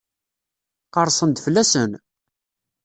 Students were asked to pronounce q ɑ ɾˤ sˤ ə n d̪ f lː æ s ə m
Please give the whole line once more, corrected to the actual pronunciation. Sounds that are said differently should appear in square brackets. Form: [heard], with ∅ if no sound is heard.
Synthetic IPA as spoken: q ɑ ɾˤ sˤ ə n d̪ f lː æ s ə [n]